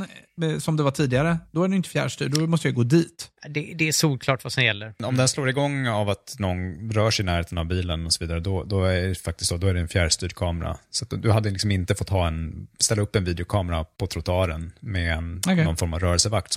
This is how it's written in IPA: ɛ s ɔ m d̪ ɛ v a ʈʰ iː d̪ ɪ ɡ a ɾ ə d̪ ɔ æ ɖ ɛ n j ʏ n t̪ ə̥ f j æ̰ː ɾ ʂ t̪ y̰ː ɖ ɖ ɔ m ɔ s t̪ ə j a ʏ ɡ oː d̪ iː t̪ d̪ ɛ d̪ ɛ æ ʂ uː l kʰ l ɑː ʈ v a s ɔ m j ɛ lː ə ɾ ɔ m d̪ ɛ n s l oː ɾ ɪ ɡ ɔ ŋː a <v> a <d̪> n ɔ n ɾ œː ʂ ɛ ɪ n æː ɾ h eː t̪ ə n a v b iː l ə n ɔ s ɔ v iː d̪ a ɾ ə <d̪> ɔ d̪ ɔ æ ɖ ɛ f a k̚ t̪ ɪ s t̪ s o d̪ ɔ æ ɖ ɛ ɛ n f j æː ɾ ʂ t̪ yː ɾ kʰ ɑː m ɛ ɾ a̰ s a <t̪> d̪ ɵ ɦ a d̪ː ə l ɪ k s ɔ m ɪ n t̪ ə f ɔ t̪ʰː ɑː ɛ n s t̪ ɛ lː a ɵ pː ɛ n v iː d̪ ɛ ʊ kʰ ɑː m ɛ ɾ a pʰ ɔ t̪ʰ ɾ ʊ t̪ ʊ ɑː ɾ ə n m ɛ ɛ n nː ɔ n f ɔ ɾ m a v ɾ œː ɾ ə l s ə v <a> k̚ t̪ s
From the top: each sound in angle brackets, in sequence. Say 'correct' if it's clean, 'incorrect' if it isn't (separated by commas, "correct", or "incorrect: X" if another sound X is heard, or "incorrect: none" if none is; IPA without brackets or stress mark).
correct, incorrect: t̪, correct, correct, correct